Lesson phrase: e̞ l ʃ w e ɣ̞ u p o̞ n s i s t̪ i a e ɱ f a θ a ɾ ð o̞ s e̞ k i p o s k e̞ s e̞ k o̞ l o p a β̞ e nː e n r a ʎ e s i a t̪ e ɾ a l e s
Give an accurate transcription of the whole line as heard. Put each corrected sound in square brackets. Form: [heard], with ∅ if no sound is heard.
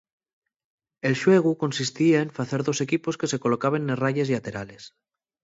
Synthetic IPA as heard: e̞ l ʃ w e ɣ̞ u [k] o̞ n s i s t̪ i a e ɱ f a θ [e] ɾ ð o̞ s e̞ k i p o s k e̞ s e̞ k o̞ l o [k] a β̞ e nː e [∅] r a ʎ e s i a t̪ e ɾ a l e s

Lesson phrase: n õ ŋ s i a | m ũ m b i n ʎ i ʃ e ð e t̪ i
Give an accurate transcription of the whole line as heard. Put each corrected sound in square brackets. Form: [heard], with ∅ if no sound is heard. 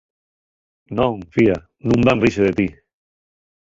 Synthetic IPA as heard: n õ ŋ [f] i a | [n] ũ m b [a] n [r] i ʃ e ð e t̪ i

